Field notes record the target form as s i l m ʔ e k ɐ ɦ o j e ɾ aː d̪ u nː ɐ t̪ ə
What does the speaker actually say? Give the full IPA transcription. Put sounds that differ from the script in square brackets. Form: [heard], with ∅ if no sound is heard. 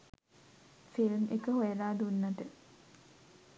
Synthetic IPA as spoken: [f] i l m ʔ e k [ə] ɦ o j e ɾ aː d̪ u nː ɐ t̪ ə